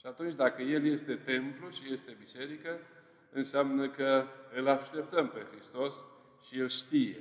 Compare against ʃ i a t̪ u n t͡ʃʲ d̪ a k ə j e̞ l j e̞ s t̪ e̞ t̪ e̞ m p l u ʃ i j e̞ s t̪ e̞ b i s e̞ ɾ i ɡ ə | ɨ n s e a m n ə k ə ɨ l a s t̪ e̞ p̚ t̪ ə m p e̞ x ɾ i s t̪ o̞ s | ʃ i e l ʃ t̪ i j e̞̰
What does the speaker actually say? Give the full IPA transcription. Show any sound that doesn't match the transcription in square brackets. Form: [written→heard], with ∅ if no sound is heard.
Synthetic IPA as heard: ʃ i a t̪ u n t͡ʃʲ d̪ a k ə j e̞ l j e̞ s t̪ e̞ t̪ e̞ m p l u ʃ i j e̞ s t̪ e̞ b i s e̞ ɾ i [ɡ→k] ə | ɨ n s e a m n ə k ə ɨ l a [s→ʃ] t̪ e̞ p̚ t̪ ə m p e̞ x ɾ i s t̪ o̞ s | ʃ i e l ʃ t̪ i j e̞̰